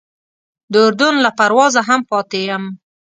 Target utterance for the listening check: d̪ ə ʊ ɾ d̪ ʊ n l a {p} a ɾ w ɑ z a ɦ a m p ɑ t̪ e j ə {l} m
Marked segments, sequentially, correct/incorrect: correct, incorrect: none

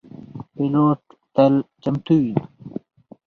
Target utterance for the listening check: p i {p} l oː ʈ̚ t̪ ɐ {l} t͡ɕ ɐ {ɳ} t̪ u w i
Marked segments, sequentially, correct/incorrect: incorrect: none, correct, incorrect: m

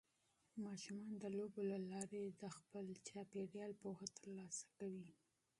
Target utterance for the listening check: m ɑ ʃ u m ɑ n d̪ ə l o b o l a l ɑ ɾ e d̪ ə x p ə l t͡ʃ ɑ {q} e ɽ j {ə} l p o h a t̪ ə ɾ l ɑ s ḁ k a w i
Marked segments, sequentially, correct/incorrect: incorrect: p, incorrect: ɑ

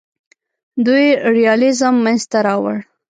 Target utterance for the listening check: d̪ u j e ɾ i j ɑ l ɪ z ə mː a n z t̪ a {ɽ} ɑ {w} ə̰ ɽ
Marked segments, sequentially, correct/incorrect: incorrect: ɾ, correct

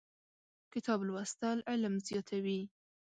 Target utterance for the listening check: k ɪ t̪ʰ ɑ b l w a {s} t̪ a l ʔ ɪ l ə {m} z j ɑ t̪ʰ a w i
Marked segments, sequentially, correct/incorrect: correct, correct

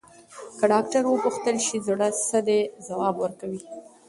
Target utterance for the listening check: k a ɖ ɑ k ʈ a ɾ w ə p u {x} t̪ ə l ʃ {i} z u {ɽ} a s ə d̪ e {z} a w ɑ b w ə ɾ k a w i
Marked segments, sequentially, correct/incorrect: correct, correct, correct, correct

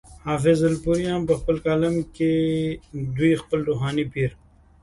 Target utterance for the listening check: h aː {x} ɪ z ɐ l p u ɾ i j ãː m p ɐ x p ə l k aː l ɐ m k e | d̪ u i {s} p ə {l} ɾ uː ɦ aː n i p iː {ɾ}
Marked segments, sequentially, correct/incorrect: incorrect: f, incorrect: x, correct, correct

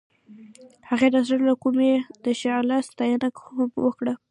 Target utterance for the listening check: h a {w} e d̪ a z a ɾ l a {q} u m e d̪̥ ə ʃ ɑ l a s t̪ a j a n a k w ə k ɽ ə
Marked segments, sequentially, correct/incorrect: incorrect: ɣ, incorrect: k

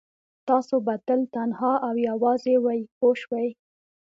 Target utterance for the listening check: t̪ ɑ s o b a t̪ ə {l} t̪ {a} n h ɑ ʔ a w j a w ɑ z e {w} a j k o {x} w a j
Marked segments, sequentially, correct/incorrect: correct, correct, correct, incorrect: ʃ

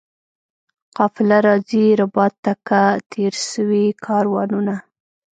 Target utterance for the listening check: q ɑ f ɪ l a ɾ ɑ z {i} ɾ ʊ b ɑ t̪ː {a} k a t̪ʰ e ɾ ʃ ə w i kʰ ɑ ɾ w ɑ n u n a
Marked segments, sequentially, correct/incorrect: correct, correct

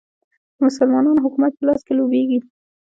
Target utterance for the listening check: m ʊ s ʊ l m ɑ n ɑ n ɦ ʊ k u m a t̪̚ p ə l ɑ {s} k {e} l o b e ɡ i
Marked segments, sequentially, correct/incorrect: correct, correct

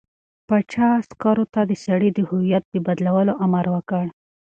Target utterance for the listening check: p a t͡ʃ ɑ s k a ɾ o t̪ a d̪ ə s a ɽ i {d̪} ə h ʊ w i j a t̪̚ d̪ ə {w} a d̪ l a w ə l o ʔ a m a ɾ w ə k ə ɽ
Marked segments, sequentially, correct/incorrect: correct, incorrect: b

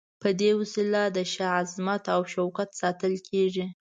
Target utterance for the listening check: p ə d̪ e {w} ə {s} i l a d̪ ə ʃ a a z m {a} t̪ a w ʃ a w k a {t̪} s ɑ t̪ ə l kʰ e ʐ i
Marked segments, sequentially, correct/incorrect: correct, correct, correct, correct

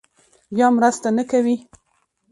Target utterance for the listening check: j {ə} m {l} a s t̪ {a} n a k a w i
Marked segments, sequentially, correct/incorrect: incorrect: ɑ, incorrect: ɾ, correct

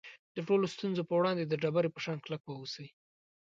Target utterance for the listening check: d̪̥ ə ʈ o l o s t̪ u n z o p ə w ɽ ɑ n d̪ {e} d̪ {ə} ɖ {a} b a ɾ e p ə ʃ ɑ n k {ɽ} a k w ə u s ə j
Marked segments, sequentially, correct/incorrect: correct, correct, correct, incorrect: l

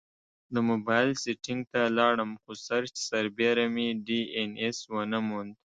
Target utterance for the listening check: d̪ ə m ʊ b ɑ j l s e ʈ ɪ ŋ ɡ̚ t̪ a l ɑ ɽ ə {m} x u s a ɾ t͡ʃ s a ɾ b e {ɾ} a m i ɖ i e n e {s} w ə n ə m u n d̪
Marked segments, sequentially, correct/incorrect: correct, correct, correct

